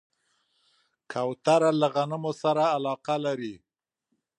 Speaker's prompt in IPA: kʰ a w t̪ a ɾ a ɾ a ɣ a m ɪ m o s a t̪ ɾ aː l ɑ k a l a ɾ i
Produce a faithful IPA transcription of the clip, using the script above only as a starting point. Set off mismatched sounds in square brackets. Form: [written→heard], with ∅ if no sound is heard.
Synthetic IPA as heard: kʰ a w t̪ a ɾ a [ɾ→l] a ɣ a [m→n] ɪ m o s a [t̪→∅] ɾ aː l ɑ [k→q] a l a ɾ i

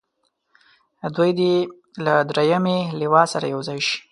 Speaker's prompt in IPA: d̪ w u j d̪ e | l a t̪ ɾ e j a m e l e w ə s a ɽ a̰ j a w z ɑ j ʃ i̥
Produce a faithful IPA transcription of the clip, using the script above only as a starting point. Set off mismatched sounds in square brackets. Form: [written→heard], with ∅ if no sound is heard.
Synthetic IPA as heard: d̪ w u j d̪ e | l a [t̪→d̪] ɾ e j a m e l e w [ə→ɑ] s a [ɽ→ɾ] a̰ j a w z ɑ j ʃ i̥

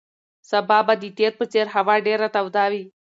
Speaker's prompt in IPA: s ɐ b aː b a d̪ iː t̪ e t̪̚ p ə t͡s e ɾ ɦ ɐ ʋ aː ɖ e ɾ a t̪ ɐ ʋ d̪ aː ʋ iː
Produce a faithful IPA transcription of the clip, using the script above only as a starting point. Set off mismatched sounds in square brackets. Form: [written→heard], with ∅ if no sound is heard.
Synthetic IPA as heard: s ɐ b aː b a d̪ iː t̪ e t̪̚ p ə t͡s e ɾ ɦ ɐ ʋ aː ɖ e ɾ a t̪ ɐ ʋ d̪ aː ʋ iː

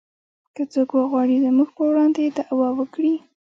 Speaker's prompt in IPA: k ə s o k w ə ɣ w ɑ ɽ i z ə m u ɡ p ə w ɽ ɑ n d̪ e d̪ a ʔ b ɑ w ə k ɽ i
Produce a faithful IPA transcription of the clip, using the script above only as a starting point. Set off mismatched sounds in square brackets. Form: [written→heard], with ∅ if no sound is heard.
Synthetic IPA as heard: k ə [s→t͡s] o k w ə ɣ w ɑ ɽ i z ə m u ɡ p ə w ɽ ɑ n d̪ e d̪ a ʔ [b→w] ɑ w ə k ɽ i

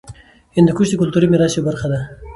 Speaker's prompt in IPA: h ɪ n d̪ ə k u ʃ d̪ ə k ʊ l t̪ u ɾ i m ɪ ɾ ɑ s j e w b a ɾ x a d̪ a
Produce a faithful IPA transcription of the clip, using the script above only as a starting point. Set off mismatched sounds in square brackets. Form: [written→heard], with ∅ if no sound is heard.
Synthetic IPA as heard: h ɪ n d̪ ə k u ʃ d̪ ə k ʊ l t̪ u ɾ i m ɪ ɾ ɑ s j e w b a ɾ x a d̪ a

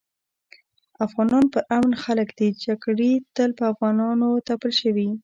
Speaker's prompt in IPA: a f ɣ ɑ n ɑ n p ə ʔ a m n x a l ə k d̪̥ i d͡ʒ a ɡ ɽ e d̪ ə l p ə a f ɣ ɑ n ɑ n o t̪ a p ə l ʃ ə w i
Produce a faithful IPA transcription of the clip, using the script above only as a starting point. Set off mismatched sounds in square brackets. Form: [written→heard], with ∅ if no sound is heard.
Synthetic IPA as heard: a f ɣ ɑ n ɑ n p ə ʔ a m n x a l ə k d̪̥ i d͡ʒ a ɡ ɽ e [d̪→t̪] ə l p ə a f ɣ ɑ n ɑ n o t̪ a p ə l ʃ ə w i

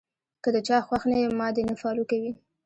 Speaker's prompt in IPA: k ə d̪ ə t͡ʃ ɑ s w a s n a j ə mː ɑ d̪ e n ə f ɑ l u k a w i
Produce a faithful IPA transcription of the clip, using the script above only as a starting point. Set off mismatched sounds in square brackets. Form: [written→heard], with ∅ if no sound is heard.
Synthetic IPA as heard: k ə d̪ ə t͡ʃ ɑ [s→x] w a [s→x] n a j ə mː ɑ d̪ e n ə f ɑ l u k a w i

